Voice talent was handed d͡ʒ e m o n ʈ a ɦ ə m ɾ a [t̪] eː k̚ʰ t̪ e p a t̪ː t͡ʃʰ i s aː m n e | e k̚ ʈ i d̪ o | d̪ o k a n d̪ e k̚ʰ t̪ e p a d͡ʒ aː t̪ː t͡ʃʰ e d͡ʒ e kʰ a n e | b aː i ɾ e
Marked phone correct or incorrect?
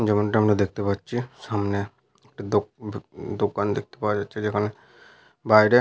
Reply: incorrect